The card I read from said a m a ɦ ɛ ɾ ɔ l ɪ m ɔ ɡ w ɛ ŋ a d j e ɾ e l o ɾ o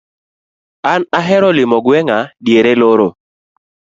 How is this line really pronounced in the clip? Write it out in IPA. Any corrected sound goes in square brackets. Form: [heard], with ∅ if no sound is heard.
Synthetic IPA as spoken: a [n] a ɦ ɛ ɾ ɔ l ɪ m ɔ ɡ w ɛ ŋ a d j e ɾ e l o ɾ o